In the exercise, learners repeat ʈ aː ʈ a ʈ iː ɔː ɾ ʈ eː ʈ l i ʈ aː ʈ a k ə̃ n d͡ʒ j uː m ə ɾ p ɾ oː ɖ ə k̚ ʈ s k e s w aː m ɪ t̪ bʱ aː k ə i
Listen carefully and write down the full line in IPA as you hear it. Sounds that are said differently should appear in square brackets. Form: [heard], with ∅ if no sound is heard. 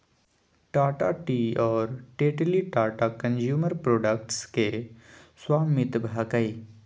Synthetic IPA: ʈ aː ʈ a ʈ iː ɔː ɾ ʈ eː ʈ l i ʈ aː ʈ a k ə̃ n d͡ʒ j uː m ə ɾ p ɾ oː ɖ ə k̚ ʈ s k e s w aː m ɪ t̪ bʱ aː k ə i